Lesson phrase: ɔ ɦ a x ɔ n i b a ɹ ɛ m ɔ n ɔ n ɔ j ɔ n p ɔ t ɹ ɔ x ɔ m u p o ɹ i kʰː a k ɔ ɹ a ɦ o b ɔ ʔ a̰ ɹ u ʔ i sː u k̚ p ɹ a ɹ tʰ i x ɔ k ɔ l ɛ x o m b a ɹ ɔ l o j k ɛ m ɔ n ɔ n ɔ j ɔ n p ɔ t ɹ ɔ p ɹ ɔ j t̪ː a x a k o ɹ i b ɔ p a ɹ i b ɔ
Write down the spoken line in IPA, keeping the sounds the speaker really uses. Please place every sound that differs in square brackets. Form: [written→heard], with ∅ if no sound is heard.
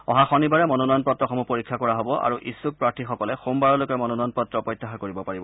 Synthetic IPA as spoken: ɔ ɦ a x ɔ n i b a ɹ ɛ m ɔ n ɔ n ɔ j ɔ n p ɔ t ɹ ɔ x ɔ m u p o ɹ i kʰː a k ɔ ɹ a ɦ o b ɔ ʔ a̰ ɹ u ʔ i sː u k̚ p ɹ a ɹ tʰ i x ɔ k ɔ l ɛ x o m b a ɹ ɔ l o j k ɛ m ɔ n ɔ n ɔ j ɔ n p ɔ t ɹ ɔ p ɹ ɔ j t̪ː a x a k o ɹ i b ɔ p a ɹ i b ɔ